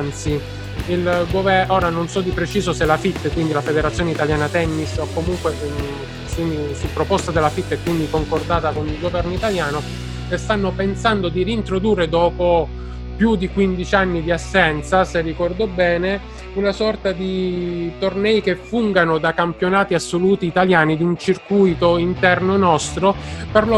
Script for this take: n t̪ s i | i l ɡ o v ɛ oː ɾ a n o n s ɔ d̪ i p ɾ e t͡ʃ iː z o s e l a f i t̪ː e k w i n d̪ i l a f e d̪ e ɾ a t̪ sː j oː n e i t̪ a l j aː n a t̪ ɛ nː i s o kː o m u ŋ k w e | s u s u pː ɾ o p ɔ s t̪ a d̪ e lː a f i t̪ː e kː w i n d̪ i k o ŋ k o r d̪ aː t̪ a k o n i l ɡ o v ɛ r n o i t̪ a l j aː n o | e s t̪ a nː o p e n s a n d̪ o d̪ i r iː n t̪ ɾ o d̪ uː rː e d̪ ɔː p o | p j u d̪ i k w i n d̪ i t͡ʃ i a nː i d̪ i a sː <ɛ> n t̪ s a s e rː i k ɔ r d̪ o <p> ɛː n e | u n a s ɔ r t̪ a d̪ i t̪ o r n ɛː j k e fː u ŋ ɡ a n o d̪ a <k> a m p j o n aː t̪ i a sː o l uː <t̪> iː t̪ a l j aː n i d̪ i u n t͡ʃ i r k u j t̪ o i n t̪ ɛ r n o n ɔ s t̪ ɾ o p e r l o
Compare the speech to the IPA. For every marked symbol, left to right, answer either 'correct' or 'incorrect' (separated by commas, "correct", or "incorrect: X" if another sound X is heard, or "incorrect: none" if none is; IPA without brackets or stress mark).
correct, incorrect: b, correct, correct